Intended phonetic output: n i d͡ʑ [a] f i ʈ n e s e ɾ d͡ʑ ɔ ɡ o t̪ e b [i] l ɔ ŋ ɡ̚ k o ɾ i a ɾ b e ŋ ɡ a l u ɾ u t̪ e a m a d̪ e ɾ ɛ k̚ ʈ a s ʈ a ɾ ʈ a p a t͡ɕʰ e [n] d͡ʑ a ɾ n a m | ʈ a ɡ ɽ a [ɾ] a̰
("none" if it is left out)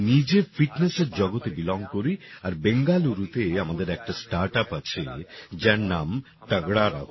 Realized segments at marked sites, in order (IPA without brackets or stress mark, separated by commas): e, i, none, ɾ